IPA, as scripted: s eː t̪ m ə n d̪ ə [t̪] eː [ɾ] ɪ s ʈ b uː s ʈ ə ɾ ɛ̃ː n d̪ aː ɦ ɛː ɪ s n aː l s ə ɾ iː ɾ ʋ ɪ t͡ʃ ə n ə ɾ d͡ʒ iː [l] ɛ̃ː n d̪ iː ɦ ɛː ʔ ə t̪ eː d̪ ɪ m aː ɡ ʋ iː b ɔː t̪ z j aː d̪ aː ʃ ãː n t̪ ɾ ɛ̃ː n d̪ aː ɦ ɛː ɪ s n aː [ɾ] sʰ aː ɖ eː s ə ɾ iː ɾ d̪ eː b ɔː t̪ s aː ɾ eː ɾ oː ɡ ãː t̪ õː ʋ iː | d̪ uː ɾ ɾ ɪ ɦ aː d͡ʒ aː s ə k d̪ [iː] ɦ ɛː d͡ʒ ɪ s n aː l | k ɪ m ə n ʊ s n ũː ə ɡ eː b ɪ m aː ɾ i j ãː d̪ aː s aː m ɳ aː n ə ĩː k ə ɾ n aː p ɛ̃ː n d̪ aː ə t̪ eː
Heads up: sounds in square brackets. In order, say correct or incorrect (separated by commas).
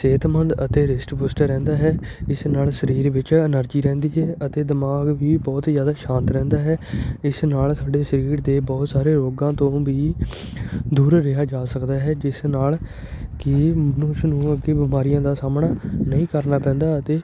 correct, correct, incorrect, incorrect, incorrect